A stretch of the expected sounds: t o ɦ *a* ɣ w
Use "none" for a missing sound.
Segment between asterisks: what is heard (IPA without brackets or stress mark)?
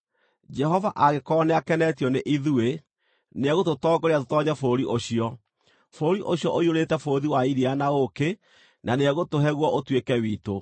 ɛ